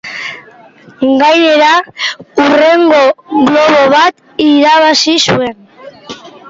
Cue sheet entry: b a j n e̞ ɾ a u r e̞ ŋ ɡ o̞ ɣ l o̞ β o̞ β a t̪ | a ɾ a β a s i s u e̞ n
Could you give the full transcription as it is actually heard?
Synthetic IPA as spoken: ɡ a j n e̞ ɾ a u r e̞ ŋ ɡ o̞ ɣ l o̞ β o̞ β a t̪ | i ɾ a β a s i s u e̞ n